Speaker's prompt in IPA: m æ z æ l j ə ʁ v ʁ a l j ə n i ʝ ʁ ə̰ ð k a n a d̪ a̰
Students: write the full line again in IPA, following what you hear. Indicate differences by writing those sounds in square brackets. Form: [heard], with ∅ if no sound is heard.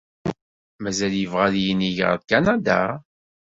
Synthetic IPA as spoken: m æ z æ l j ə [∅] v ʁ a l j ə n i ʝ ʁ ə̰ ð k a n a d̪ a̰